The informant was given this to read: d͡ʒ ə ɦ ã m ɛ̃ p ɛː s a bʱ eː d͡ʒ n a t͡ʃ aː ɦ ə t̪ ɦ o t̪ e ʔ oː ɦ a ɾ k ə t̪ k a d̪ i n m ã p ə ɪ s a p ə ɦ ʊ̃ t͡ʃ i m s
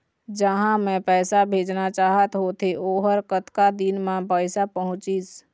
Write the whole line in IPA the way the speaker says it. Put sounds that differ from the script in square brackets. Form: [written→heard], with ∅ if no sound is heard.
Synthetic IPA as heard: d͡ʒ ə ɦ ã m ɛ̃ p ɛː s a bʱ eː d͡ʒ n a t͡ʃ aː ɦ ə t̪ ɦ o t̪ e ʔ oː ɦ [a→ə] ɾ k ə t̪ k a d̪ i n m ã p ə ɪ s a p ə ɦ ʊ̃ t͡ʃ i [m→∅] s